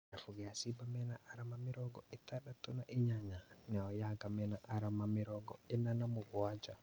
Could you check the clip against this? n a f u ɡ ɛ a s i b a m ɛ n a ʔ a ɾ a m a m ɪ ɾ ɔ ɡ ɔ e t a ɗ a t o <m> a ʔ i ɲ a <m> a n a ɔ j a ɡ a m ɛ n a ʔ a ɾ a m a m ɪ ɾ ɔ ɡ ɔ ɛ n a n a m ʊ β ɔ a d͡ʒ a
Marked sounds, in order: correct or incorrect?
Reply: incorrect: n, incorrect: ɲ

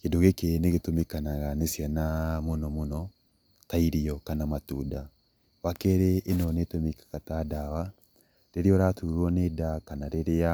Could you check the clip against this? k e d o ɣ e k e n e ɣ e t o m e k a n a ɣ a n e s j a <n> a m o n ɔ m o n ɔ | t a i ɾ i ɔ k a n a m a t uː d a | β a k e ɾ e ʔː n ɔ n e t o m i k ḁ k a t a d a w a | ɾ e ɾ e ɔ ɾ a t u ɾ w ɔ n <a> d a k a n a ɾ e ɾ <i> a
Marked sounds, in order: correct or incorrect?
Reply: correct, incorrect: e, incorrect: e

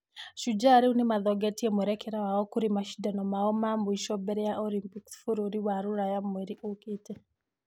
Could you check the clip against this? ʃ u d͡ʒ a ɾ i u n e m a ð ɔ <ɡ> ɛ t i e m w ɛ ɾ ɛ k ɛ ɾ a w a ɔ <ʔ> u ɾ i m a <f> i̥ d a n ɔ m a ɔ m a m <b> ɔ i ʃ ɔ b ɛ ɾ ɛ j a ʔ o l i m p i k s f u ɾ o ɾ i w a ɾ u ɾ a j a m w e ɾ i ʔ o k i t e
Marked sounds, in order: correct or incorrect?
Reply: correct, incorrect: k, incorrect: ʃ, correct

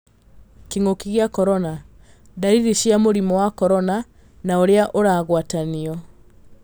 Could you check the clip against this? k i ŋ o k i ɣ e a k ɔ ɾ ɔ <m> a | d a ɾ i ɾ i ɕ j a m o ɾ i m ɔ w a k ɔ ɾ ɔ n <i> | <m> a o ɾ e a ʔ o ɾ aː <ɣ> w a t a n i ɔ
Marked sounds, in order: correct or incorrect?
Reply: incorrect: n, incorrect: a, incorrect: n, correct

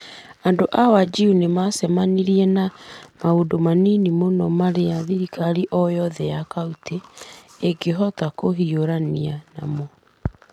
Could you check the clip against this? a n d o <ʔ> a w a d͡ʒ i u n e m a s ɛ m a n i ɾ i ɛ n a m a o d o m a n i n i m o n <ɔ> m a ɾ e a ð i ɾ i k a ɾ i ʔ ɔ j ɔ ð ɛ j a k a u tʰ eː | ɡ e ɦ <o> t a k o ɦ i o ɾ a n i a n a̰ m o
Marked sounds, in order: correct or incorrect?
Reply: correct, correct, incorrect: ɔ

